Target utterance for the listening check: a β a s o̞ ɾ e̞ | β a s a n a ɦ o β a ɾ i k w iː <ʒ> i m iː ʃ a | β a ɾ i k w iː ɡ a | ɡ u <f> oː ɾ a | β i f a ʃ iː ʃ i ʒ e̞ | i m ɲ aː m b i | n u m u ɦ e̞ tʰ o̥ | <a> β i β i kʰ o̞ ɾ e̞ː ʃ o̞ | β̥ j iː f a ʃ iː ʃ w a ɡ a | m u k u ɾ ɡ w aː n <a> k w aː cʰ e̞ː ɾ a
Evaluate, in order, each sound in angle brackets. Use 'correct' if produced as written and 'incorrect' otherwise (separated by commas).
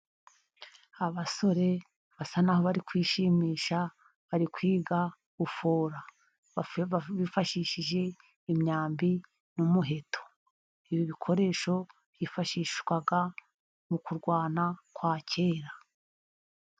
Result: incorrect, correct, incorrect, correct